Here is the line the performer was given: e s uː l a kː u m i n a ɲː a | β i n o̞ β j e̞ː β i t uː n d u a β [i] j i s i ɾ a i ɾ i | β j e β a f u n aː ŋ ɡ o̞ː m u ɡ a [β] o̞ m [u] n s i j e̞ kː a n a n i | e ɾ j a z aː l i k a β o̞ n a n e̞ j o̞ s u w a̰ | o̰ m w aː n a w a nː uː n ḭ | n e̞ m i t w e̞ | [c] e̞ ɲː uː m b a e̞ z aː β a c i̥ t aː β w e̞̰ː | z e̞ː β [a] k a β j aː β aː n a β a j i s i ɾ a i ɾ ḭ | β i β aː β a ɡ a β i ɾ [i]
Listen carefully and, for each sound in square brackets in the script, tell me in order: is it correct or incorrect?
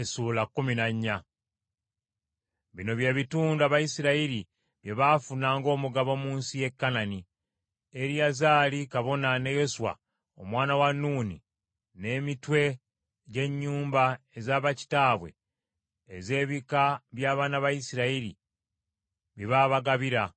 incorrect, correct, incorrect, incorrect, incorrect, incorrect

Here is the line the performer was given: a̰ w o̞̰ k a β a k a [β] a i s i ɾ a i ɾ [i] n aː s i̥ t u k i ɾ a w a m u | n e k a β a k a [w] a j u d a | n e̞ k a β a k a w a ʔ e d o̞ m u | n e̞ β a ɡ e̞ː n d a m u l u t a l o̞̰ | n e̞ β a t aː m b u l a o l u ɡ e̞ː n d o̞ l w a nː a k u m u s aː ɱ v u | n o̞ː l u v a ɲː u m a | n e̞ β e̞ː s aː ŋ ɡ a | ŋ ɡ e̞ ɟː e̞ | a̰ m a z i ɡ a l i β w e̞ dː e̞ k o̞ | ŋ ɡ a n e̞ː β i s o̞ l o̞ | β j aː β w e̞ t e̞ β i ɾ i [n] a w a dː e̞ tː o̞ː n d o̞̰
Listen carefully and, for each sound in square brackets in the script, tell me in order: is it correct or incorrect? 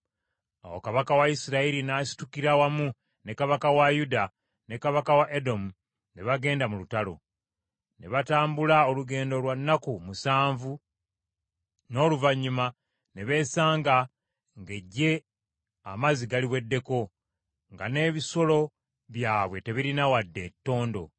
incorrect, correct, correct, correct

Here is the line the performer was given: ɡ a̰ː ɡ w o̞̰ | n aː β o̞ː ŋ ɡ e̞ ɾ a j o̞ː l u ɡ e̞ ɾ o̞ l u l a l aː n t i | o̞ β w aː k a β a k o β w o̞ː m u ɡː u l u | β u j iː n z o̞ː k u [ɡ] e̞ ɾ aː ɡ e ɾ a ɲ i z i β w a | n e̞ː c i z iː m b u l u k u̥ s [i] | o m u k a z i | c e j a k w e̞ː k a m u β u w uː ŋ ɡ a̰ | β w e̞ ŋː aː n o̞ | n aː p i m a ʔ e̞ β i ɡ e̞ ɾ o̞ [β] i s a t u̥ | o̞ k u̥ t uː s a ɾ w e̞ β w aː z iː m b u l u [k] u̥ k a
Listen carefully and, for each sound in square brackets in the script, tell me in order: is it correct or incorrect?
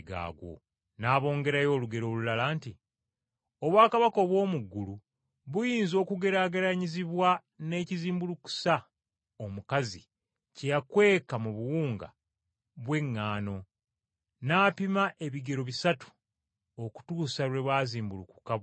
correct, incorrect, correct, correct

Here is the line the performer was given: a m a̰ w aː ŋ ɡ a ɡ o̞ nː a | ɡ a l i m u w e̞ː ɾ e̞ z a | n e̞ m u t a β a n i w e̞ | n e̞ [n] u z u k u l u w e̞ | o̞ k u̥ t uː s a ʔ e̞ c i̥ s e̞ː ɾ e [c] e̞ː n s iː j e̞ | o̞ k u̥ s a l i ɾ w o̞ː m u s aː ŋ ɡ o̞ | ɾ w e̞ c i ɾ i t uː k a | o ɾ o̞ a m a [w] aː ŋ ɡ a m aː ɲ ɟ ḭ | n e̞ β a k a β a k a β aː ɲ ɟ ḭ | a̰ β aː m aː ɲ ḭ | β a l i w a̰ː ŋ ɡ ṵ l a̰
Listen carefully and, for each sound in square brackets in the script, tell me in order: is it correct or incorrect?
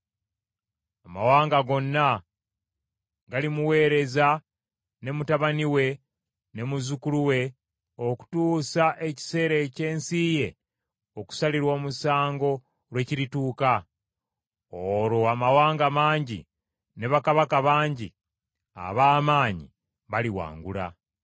incorrect, correct, correct

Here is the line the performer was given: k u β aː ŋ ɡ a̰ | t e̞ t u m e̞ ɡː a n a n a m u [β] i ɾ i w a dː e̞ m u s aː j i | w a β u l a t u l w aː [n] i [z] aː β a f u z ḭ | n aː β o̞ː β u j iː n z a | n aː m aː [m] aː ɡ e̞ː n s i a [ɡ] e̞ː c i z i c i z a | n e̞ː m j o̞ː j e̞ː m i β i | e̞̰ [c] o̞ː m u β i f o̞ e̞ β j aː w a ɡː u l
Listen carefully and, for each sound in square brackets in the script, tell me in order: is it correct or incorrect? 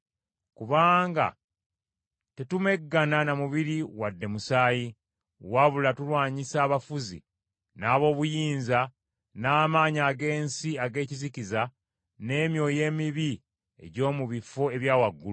correct, incorrect, incorrect, incorrect, correct, incorrect

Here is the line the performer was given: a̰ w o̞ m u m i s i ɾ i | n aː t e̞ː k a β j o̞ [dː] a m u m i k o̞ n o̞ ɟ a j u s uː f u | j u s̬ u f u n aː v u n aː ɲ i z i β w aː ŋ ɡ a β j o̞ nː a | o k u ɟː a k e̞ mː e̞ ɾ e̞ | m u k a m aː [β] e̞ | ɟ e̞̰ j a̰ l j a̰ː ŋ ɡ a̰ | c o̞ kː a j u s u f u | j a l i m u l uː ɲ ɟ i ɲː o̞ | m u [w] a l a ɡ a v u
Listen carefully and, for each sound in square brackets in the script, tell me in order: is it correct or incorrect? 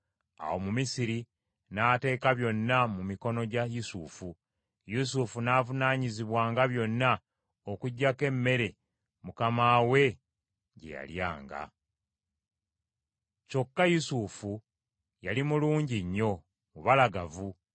incorrect, incorrect, incorrect

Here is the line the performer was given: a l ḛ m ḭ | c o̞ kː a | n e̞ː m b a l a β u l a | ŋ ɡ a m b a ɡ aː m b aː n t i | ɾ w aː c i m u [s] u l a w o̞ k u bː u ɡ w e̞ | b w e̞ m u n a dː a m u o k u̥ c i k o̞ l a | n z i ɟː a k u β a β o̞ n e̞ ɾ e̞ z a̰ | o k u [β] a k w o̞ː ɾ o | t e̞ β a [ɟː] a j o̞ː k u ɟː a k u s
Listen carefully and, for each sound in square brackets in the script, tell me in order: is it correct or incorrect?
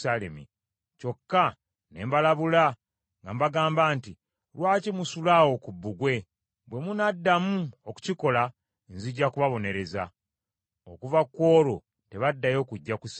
correct, incorrect, incorrect

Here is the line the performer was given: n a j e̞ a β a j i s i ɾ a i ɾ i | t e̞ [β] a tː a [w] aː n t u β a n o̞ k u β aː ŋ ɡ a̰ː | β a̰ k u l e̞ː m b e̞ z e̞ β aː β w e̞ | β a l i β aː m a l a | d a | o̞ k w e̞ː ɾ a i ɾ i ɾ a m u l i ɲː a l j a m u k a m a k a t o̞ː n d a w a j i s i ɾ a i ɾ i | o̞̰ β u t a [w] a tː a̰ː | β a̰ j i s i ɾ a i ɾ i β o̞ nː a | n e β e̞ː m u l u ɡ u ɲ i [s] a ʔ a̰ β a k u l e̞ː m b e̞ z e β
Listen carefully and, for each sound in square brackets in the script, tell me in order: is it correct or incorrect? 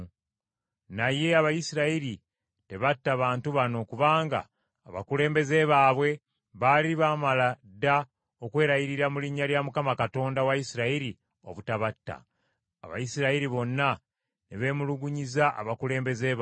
correct, incorrect, incorrect, incorrect

